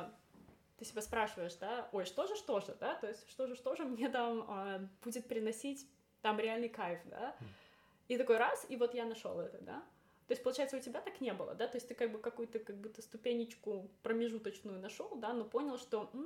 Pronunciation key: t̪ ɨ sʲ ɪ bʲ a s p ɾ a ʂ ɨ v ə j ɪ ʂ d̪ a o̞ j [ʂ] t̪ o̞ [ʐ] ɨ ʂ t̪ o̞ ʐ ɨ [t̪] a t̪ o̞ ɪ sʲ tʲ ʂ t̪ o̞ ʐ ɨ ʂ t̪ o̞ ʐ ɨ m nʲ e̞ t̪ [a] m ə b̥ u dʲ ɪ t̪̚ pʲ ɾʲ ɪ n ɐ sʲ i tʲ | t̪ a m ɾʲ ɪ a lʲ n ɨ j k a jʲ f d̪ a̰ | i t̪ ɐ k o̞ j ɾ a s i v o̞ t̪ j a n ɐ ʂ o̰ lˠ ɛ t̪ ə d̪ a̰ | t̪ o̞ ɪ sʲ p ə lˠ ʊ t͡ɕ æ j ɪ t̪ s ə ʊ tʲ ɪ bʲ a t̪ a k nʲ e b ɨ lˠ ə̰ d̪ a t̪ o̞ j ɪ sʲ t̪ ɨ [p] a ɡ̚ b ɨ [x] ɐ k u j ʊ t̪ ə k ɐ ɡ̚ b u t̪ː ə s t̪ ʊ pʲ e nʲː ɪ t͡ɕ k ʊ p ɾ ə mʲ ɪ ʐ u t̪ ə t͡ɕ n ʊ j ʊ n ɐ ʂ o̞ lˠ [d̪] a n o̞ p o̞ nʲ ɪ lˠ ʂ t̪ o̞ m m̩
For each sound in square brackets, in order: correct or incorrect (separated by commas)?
correct, correct, incorrect, correct, incorrect, incorrect, correct